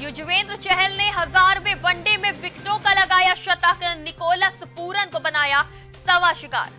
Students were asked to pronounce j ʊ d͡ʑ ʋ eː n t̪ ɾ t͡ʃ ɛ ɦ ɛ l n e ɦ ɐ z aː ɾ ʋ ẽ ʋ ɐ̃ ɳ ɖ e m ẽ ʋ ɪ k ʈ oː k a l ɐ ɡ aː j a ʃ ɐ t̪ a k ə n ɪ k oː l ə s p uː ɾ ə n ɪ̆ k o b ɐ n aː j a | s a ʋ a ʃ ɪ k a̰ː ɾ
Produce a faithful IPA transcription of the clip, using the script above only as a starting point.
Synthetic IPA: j ʊ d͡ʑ ʋ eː n d̪ ɾ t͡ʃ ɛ ɦ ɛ l n e ɦ ɐ z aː ɾ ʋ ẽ ʋ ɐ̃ ɳ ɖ e m ẽ ʋ ɪ k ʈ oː k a l ɐ ɡ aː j a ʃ ɐ t̪ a k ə n ɪ k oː l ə s p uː ɾ ə n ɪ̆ k o b ɐ n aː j a | s ɐ ʋ a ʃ ɪ k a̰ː ɾ